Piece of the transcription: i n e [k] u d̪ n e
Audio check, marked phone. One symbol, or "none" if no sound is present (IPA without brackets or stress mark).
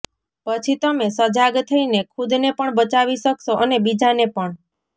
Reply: kʰ